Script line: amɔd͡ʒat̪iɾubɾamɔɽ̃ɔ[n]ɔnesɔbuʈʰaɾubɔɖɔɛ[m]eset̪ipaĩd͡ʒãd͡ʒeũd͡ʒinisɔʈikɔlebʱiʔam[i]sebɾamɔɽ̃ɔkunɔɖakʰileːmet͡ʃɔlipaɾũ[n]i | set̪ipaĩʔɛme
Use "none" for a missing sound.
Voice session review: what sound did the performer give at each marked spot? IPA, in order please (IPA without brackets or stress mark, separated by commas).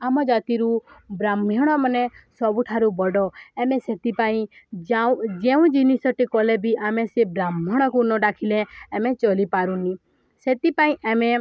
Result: m, m, e, n